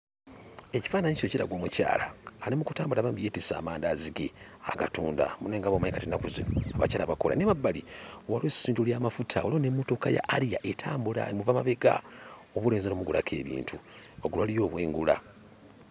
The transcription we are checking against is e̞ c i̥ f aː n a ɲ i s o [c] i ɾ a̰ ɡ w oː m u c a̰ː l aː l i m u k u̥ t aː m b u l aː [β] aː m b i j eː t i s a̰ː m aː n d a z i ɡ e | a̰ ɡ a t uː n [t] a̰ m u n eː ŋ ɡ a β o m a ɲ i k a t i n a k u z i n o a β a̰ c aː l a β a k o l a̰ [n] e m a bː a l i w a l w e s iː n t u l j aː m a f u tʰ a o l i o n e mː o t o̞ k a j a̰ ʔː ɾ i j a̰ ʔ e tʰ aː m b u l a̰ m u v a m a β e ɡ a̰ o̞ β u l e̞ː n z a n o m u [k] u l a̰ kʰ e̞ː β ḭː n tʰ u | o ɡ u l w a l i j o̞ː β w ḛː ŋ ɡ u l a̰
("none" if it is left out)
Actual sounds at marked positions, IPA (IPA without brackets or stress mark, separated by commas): c, β, d, n, ɡ